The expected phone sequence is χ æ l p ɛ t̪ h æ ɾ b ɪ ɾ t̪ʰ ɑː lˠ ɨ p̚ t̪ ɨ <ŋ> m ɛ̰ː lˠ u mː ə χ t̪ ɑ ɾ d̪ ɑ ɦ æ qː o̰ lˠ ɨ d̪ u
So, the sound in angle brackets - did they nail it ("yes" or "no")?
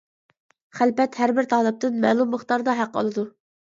no